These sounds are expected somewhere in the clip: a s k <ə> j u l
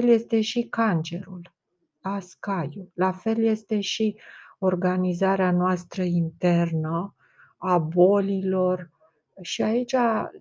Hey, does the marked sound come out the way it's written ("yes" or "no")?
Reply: no